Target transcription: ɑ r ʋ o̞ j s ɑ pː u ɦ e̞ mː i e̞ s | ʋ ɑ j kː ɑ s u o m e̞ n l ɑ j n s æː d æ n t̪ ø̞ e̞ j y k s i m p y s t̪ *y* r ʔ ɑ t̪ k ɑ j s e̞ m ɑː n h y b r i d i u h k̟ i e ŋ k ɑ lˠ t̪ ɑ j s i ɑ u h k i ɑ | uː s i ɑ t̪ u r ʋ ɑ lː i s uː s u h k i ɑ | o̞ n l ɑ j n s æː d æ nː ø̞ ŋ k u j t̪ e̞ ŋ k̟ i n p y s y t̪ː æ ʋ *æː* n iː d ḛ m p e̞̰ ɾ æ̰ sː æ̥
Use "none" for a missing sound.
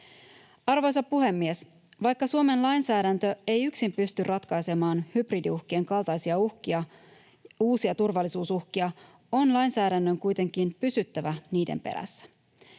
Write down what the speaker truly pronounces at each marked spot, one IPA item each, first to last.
y, æ

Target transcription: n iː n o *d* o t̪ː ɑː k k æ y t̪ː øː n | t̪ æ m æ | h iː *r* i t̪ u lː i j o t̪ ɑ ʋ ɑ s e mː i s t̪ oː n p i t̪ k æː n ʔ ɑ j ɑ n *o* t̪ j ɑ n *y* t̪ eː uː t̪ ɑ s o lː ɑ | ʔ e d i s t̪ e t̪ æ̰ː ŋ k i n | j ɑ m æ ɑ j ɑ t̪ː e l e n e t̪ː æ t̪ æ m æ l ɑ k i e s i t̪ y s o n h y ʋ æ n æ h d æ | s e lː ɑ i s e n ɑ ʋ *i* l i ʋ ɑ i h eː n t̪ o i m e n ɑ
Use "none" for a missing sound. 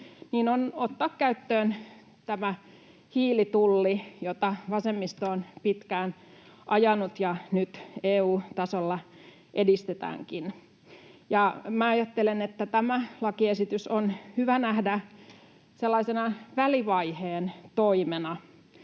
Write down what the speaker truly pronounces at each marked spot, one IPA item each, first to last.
n, l, u, y, æ

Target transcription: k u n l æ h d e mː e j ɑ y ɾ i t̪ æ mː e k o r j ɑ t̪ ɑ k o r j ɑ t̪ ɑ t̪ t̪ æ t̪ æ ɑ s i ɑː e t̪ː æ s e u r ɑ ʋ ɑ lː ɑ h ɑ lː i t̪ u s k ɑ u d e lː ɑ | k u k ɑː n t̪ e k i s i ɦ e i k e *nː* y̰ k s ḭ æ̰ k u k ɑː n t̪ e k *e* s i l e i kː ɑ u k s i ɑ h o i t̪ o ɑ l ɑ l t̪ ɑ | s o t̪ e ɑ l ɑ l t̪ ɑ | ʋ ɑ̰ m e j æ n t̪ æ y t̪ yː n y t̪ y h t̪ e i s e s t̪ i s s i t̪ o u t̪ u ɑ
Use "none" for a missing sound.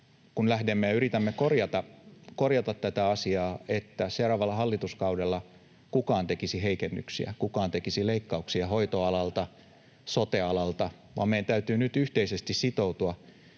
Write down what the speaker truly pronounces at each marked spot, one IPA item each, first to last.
nː, i

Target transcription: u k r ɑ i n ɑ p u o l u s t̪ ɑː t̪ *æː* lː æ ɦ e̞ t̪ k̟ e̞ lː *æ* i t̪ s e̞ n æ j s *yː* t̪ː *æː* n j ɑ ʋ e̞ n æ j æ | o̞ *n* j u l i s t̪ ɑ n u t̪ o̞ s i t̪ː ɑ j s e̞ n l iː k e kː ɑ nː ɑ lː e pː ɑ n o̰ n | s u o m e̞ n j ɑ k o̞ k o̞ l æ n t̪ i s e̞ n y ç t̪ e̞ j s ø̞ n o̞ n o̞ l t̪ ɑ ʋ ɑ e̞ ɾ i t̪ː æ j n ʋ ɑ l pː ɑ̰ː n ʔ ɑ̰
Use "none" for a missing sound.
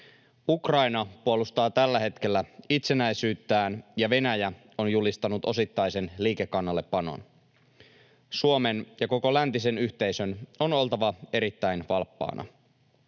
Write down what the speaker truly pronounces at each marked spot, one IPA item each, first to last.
æ, æ, yː, æː, n

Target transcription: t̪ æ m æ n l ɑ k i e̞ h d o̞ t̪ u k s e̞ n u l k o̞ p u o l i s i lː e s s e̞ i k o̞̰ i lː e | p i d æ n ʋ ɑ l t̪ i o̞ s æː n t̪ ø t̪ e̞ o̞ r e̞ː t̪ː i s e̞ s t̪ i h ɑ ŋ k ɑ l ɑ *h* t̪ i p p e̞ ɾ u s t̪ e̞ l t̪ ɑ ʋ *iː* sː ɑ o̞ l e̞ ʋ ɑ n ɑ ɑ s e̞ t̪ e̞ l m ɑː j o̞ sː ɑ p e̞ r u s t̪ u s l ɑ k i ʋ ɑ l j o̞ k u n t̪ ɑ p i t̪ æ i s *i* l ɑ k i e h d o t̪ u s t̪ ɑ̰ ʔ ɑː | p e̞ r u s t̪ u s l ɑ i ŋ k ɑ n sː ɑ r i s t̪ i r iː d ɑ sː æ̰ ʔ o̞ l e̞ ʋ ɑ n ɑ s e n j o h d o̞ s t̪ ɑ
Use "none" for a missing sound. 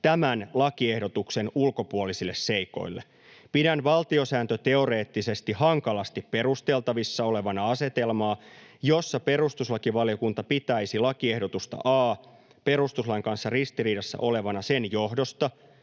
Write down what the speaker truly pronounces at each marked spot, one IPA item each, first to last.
s, i, i

